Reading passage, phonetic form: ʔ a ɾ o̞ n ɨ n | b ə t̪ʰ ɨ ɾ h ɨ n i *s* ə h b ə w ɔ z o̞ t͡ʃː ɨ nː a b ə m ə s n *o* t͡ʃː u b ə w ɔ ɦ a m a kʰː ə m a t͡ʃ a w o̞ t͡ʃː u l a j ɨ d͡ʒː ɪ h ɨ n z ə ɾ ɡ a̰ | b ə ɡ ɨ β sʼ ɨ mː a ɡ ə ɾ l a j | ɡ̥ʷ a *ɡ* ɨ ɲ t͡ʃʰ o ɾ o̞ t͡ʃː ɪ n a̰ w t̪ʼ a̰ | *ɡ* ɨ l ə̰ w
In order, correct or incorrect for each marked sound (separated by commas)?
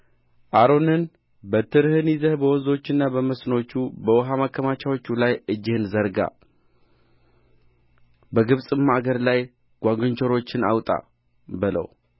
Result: incorrect, correct, correct, incorrect